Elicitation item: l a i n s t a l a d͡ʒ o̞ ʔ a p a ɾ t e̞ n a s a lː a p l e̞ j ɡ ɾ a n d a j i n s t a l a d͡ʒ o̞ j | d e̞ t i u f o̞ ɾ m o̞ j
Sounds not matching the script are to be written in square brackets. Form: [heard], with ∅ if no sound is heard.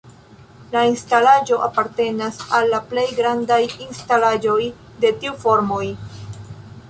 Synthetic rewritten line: l a i n s t a l a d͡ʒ o̞ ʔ a p a ɾ t e̞ n a s a lː a p l e̞ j ɡ ɾ a n d a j i n s t a l a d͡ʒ o̞ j | d e̞ t i u f o̞ ɾ m o̞ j